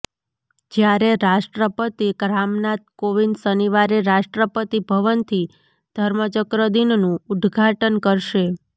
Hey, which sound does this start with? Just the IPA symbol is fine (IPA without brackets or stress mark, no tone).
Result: d͡ʒ